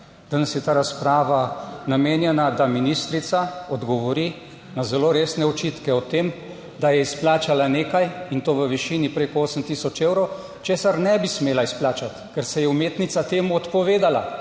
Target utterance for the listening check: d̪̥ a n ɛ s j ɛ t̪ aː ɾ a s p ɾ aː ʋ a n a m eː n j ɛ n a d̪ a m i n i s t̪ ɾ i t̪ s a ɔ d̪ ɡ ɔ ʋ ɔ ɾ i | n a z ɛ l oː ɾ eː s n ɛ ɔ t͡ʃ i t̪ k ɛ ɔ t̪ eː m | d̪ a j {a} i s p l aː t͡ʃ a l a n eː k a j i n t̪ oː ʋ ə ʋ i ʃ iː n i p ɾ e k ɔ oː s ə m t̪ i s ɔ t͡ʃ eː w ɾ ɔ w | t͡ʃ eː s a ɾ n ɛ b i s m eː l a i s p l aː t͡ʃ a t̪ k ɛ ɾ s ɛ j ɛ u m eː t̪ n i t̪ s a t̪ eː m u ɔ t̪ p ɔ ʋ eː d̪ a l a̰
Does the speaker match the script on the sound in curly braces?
no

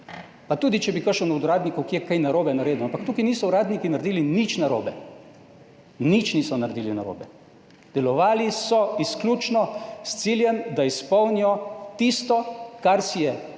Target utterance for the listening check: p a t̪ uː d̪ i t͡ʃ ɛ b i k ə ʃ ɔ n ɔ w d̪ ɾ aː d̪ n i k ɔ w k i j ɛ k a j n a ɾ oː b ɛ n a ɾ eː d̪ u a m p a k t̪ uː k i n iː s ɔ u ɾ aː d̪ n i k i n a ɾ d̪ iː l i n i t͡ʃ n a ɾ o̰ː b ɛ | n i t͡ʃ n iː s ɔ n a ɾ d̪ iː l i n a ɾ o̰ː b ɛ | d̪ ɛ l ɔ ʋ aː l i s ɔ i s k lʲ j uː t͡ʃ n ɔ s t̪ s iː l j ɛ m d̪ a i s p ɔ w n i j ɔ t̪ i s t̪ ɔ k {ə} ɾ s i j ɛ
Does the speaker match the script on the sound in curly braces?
no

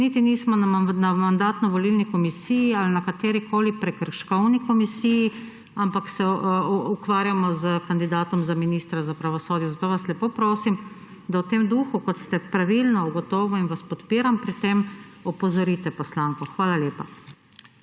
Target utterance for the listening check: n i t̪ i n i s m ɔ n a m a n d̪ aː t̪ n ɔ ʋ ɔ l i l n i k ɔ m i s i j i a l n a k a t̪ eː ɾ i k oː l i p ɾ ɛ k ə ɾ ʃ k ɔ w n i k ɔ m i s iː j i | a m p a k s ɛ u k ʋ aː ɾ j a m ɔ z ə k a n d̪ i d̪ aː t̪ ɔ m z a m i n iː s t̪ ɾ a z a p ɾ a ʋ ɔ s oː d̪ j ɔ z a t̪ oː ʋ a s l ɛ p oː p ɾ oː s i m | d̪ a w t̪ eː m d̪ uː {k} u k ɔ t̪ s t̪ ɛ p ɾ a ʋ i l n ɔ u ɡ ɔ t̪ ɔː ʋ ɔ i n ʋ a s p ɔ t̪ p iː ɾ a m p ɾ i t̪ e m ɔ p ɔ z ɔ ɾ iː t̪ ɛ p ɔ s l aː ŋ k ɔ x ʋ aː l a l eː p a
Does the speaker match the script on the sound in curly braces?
no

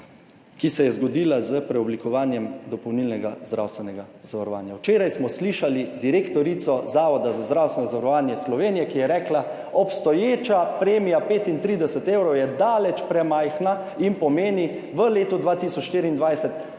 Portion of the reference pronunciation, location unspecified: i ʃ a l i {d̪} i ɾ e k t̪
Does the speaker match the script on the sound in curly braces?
yes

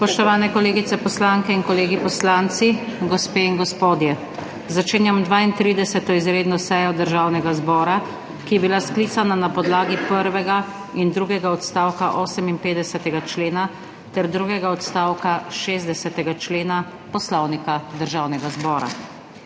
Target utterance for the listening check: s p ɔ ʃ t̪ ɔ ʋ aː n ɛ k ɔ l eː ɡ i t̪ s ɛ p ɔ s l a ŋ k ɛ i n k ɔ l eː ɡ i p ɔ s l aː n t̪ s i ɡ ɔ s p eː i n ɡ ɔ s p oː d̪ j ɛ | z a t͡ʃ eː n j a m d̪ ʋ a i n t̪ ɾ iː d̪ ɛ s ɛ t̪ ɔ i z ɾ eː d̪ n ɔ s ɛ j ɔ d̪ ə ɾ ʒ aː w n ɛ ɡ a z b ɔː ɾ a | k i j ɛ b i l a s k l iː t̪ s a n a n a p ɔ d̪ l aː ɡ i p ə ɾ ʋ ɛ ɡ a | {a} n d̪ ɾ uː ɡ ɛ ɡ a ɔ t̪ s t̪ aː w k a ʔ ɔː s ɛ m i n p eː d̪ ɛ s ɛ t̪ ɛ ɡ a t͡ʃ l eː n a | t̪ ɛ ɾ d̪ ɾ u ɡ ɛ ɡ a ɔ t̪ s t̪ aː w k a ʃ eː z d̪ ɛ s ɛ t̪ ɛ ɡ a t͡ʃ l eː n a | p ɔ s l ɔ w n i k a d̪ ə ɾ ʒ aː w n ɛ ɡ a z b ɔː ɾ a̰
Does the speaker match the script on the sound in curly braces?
no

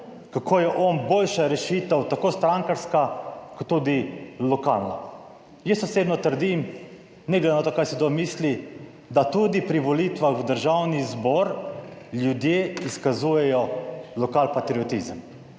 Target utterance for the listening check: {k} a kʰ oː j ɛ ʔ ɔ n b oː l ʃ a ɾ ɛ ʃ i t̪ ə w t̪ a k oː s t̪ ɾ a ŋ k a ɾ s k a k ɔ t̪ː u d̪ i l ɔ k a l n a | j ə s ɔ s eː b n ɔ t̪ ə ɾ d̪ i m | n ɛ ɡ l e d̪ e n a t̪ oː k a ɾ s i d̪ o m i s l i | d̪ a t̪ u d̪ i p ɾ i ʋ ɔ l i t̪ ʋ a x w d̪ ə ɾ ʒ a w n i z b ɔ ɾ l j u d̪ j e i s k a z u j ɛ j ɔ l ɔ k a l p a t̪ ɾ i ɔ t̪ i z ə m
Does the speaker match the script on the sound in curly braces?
yes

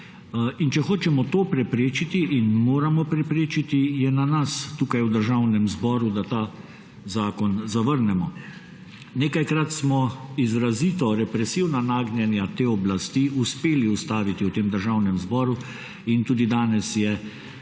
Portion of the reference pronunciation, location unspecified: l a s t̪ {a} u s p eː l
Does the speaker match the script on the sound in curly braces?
no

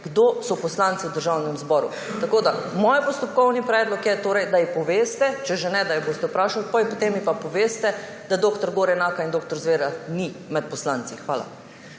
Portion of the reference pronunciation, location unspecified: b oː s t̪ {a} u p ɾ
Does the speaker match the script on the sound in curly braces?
no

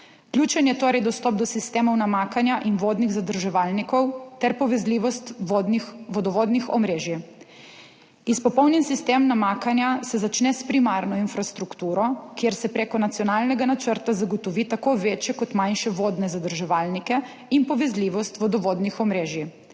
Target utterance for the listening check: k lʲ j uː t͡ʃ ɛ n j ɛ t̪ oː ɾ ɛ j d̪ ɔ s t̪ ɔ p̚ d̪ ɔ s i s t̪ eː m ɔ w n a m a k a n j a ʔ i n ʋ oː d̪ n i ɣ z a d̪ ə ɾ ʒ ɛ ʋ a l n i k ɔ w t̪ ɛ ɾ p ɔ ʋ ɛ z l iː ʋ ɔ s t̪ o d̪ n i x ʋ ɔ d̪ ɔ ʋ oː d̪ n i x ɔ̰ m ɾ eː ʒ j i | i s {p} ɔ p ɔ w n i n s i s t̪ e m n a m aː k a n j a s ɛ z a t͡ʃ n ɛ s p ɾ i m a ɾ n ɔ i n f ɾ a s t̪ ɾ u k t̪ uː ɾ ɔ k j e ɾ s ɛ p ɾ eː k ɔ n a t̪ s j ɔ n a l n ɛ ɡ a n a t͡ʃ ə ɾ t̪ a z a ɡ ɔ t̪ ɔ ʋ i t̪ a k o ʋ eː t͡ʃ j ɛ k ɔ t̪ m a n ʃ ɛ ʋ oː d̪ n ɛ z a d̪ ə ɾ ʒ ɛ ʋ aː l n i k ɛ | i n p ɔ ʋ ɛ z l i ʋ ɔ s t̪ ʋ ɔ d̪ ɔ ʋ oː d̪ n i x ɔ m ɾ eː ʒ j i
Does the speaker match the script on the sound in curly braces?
yes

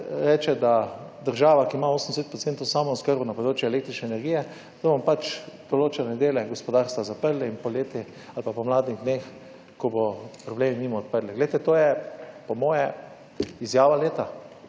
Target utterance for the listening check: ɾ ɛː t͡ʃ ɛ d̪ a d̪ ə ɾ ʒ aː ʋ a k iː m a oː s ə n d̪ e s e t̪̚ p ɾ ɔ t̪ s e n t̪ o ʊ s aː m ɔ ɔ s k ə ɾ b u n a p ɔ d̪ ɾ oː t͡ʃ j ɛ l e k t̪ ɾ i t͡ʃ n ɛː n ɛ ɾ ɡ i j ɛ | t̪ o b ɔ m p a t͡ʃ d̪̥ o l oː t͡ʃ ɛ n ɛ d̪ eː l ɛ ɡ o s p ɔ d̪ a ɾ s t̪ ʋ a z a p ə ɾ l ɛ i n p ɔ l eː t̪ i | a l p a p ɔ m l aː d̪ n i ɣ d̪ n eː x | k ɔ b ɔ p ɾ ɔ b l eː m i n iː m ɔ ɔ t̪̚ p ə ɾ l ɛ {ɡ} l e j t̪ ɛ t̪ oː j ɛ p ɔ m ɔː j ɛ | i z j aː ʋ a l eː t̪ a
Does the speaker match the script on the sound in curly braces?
yes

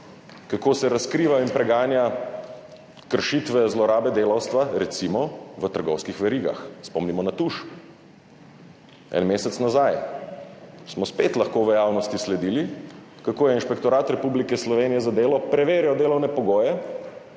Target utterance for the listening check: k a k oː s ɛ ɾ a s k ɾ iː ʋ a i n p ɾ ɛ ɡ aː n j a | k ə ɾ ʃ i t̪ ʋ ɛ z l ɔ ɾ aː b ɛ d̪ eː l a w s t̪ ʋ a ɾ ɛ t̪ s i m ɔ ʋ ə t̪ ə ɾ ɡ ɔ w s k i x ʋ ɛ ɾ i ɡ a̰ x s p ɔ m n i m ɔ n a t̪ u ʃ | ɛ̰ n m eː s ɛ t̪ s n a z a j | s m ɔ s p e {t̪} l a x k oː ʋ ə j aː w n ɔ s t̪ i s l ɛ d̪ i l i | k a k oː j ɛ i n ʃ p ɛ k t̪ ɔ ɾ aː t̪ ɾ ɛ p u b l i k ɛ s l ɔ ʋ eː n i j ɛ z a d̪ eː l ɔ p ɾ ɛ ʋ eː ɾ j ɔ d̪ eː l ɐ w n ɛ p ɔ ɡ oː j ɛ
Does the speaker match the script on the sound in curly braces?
yes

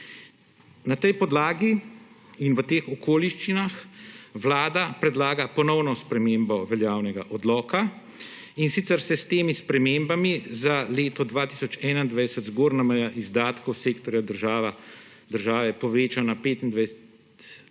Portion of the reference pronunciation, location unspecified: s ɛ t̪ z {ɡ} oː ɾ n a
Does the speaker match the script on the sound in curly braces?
yes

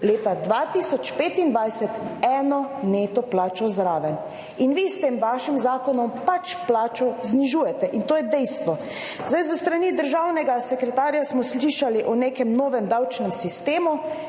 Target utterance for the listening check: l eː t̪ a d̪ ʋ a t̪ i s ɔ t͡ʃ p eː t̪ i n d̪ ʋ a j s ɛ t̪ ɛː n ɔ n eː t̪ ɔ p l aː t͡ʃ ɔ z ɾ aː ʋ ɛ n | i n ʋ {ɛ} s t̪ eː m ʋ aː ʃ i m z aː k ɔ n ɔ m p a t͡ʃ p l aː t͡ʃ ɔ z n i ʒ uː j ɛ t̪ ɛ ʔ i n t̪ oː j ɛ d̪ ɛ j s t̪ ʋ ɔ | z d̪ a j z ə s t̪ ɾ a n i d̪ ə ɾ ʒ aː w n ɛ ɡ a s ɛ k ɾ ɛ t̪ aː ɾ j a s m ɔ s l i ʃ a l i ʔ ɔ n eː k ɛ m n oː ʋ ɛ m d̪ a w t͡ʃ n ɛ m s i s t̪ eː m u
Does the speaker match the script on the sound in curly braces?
no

